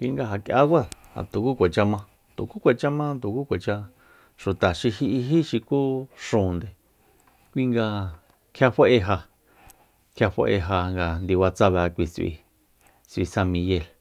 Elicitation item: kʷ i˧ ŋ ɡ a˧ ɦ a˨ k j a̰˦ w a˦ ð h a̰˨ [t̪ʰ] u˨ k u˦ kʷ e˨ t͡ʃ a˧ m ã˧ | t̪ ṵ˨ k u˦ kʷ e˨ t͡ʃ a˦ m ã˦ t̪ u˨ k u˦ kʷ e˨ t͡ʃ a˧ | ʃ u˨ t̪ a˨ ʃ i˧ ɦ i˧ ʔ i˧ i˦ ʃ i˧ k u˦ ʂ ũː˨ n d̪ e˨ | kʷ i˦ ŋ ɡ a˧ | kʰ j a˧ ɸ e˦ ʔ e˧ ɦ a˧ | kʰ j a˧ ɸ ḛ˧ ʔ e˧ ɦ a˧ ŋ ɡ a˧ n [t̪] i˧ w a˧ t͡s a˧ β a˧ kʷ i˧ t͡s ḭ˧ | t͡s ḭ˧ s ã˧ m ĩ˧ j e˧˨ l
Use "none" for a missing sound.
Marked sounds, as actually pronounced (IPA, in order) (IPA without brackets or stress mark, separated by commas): t̪, d̪